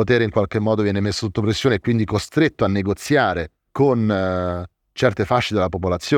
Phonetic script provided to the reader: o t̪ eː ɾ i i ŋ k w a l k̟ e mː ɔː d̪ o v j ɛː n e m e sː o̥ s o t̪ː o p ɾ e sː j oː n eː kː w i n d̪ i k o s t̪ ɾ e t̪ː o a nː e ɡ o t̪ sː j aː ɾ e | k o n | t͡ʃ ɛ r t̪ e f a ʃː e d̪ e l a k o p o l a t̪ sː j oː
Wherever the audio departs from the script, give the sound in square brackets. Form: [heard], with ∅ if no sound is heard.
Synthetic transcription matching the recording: o t̪ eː ɾ [e] i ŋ k w a l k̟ e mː ɔː d̪ o v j ɛː n e m e sː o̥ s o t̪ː o p ɾ e sː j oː n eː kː w i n d̪ i k o s t̪ ɾ e t̪ː o a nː e ɡ o t̪ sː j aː ɾ e | k o n | t͡ʃ ɛ r t̪ e f a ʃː e d̪ e l a [p] o p o l a t̪ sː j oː